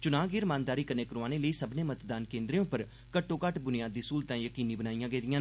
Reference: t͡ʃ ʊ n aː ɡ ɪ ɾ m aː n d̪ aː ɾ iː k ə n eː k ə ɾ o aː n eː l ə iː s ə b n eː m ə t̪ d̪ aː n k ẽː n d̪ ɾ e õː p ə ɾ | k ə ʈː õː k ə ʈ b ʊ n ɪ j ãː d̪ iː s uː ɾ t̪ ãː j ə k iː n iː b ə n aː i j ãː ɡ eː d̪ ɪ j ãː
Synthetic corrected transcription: t͡ʃ ʊ n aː ɡ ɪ ɾ m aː n d̪ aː ɾ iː k ə n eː k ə ɾ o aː n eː l ə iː s ə b n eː m ə t̪ d̪ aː n k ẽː n d̪ ɾ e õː p ə ɾ | k ə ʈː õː k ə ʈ b ʊ n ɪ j aː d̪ iː s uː l t̪ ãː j ə k iː n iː b ə n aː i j ãː ɡ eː d̪ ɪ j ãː